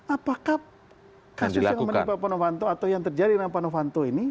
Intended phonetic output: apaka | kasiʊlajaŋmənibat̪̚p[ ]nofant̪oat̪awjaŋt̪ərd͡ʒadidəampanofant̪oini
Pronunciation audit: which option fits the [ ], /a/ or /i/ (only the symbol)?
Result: a